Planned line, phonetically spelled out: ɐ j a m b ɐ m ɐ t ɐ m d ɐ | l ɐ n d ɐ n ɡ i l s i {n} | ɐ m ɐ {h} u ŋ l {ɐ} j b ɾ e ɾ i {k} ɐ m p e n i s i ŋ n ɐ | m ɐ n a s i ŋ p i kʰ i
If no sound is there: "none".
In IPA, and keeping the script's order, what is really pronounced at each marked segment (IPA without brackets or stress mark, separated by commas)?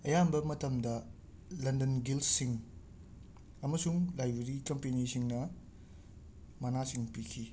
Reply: ŋ, s, a, k